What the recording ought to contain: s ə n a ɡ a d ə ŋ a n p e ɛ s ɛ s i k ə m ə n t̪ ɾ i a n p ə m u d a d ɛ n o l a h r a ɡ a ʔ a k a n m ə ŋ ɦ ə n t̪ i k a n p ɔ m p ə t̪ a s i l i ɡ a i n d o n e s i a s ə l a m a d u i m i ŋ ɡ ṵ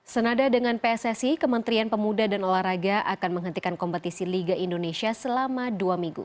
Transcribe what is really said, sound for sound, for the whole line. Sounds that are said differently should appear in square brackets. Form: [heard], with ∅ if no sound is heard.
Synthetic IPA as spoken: s ə n a [d] a d ə ŋ a n p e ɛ s ɛ s i k ə m ə n t̪ ɾ i a n p ə m u d a d [a] n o l a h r a ɡ a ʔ a k a n m ə ŋ ɦ ə n t̪ i k a n [k] ɔ m p ə t̪ [i] s i l i ɡ a i n d o n e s i a s ə l a m a d u [a] m i ŋ ɡ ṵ